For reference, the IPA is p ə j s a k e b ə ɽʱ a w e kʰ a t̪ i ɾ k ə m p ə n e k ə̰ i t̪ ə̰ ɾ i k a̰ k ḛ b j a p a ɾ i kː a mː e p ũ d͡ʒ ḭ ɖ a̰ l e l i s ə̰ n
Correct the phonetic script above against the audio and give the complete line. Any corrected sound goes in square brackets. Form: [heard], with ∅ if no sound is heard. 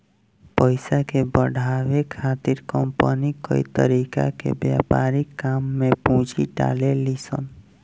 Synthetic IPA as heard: p ə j s a k e b ə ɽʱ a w e kʰ a t̪ i ɾ k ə m p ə n [i] k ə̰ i t̪ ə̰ ɾ i k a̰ k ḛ b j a p a ɾ i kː a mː e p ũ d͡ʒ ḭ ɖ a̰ l e l i s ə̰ n

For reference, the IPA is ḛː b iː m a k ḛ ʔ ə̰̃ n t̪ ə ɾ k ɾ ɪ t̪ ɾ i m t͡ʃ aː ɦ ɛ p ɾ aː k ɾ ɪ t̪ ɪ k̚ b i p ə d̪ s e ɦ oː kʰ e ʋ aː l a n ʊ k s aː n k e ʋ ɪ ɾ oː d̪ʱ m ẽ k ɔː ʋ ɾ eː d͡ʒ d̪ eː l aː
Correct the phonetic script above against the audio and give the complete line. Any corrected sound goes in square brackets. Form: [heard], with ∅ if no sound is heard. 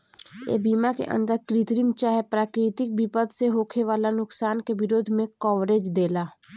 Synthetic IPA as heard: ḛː b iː m a k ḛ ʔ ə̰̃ n [d̪] ə ɾ k ɾ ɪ t̪ ɾ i m t͡ʃ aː ɦ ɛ p ɾ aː k ɾ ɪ t̪ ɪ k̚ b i p ə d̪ s e ɦ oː kʰ e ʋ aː l a n ʊ k s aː n k e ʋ ɪ ɾ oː d̪ʱ m ẽ k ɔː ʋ ɾ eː d͡ʒ d̪ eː l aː

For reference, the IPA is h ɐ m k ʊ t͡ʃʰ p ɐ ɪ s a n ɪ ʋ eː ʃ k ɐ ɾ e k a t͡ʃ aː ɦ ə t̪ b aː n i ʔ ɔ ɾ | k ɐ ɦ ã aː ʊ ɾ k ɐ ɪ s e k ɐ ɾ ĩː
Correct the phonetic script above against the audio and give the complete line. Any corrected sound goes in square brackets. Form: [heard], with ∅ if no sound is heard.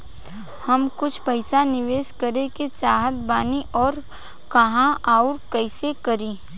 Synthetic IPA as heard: h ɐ m k ʊ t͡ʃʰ p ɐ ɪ s a n ɪ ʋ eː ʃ k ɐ ɾ e k [e] t͡ʃ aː ɦ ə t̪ b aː n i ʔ [ɔː] ɾ | k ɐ ɦ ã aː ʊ ɾ k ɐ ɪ s e k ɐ ɾ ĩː

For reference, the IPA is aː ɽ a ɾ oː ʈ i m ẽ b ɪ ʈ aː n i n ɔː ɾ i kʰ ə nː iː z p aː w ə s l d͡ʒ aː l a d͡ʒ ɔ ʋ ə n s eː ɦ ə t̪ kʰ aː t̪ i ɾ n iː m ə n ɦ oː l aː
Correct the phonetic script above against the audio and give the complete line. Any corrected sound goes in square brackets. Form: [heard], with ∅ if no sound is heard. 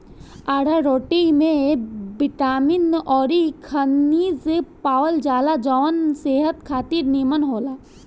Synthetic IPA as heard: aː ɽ a ɾ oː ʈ i m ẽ b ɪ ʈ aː [m] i n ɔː ɾ i kʰ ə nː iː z p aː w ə [∅] l d͡ʒ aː l a d͡ʒ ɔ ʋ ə n s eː ɦ ə t̪ kʰ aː t̪ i ɾ n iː m ə n ɦ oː l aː

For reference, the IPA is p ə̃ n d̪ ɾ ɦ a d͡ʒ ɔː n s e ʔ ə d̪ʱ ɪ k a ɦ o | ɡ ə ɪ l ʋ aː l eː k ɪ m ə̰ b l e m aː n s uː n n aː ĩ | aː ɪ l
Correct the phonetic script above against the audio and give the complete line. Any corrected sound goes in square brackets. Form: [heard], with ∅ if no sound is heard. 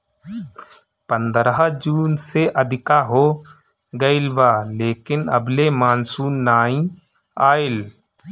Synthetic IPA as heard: p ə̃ n d̪ ɾ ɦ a d͡ʒ [uː] n s e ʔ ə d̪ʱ ɪ k a ɦ o | ɡ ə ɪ l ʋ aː l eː k ɪ [n] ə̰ b l e m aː n s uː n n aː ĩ | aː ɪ l

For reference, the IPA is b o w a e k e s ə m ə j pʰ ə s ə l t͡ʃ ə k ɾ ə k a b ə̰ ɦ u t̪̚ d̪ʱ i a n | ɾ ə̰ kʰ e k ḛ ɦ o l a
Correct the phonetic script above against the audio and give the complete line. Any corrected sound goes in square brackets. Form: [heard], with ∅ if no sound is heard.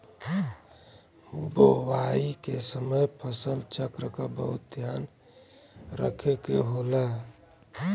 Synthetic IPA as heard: b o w a [i] k e s ə m ə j pʰ ə s ə l t͡ʃ ə k ɾ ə k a b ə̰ ɦ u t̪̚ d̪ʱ [j] a n | ɾ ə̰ kʰ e k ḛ ɦ o l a

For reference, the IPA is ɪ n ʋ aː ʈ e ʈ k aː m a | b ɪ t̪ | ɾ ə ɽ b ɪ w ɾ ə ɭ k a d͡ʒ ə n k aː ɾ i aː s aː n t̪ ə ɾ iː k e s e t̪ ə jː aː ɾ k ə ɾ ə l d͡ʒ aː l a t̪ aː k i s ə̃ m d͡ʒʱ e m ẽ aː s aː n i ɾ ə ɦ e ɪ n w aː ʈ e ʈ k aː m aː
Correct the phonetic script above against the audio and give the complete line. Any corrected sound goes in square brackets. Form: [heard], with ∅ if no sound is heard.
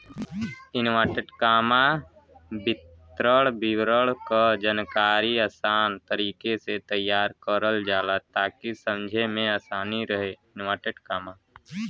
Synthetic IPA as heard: ɪ n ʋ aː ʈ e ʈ k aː m a | b ɪ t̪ | ɾ ə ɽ b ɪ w ɾ ə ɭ k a d͡ʒ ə n k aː ɾ i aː s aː n t̪ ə ɾ iː k e s e t̪ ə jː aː ɾ k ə ɾ ə l d͡ʒ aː l a t̪ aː k i s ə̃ m d͡ʒʱ e m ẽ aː s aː n i ɾ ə ɦ e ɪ n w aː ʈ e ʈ k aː m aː

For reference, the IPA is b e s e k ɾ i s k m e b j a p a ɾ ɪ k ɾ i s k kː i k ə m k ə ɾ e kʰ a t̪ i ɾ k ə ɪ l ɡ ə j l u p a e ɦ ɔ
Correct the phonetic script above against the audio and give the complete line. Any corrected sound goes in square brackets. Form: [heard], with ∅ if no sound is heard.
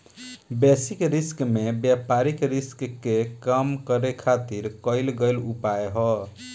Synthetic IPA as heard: b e s [i] k ɾ i s k m e b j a p a ɾ [i] k ɾ i s k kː [e] k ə m k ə ɾ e kʰ a t̪ i ɾ k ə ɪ l ɡ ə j l u p a e ɦ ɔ

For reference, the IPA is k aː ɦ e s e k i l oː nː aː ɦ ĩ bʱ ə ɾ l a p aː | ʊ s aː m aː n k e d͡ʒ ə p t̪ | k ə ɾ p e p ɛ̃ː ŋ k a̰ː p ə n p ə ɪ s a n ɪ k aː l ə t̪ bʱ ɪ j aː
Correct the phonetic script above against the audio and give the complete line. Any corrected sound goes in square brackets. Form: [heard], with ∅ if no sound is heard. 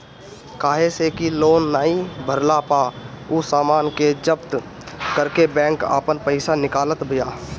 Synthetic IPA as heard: k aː ɦ e s e k i l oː nː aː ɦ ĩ bʱ ə ɾ l a p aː | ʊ s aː m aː n k e d͡ʒ ə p t̪ | k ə ɾ [k] e [b] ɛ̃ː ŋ k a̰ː p ə n p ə ɪ s a n ɪ k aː l ə t̪ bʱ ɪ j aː

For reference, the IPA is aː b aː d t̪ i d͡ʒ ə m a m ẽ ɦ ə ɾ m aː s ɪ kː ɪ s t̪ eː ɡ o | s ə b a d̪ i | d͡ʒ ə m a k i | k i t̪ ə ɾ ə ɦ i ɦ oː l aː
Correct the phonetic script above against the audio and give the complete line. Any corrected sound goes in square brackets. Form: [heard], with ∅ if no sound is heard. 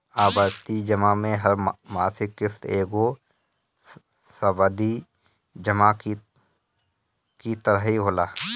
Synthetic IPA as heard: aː b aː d t̪ i d͡ʒ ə m a m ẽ ɦ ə ɾ m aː s ɪ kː ɪ [f] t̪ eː ɡ o | s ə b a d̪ i | d͡ʒ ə m a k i | k i t̪ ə ɾ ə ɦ i ɦ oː l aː

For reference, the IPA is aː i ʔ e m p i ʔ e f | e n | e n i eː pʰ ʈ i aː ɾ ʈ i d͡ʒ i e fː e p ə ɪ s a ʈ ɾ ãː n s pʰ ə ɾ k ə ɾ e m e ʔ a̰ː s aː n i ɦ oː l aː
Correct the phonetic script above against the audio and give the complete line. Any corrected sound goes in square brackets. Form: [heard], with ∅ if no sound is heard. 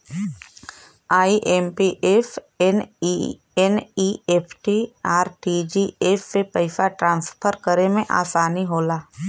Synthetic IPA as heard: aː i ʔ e m p i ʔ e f | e n | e n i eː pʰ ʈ i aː ɾ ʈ i d͡ʒ i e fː e p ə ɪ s a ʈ ɾ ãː n s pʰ ə ɾ k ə ɾ e m [ẽ] ʔ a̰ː s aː n i ɦ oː l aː

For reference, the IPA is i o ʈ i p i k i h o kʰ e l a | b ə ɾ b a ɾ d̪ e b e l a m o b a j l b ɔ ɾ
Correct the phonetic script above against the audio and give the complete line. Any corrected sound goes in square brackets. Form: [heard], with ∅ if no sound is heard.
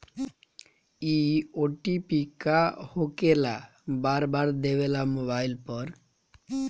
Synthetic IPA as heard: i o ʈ i p i k [a] h o [k] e l a | b [a] ɾ b a ɾ d̪ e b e l a m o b a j l [p] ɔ ɾ

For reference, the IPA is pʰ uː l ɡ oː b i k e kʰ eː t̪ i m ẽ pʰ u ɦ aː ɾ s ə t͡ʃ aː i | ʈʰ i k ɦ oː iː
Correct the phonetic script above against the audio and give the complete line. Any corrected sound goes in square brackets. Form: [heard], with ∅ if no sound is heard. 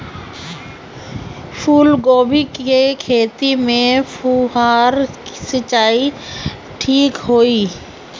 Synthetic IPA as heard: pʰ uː l ɡ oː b i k e kʰ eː t̪ i m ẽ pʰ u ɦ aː ɾ s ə t͡ʃ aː i | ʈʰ [iː] k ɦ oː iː

